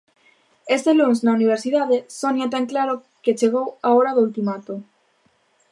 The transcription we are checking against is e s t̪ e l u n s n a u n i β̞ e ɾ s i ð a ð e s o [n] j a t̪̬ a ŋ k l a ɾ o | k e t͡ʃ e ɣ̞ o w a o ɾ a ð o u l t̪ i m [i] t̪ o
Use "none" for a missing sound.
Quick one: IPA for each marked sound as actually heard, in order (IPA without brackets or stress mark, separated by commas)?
n, a